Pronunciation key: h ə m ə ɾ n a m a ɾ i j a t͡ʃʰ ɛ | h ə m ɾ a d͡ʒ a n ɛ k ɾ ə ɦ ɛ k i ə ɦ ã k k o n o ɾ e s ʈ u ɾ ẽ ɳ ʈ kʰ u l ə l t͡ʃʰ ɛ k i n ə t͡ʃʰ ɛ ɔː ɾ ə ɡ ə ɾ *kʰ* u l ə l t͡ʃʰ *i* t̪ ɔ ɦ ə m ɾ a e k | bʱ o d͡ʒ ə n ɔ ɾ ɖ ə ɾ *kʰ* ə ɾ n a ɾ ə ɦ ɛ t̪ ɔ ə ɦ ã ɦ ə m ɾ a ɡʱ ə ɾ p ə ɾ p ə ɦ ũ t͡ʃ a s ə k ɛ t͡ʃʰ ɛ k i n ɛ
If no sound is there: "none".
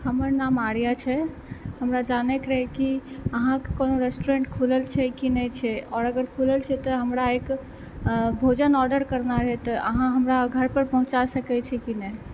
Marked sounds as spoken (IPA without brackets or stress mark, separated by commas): kʰ, ɛ, k